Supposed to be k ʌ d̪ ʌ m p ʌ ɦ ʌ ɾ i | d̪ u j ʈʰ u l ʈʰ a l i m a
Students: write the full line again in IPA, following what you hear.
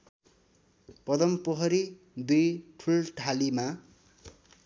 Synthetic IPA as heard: p ʌ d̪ ʌ m p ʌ ɦ ʌ ɾ i | d̪ u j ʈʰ u l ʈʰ a l i m a